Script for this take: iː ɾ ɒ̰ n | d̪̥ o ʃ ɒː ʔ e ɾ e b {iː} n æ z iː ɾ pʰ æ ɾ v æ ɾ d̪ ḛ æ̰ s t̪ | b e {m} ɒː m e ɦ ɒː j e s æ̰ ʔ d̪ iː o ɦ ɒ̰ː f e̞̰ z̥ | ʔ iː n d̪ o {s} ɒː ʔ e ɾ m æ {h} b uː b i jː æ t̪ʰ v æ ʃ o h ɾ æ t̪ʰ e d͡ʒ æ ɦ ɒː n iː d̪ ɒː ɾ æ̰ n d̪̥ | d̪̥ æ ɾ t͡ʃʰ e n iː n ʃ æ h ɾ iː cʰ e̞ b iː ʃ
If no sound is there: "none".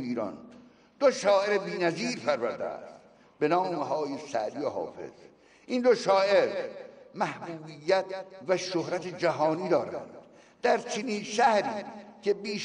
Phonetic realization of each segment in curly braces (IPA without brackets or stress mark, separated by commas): iː, n, ʃ, h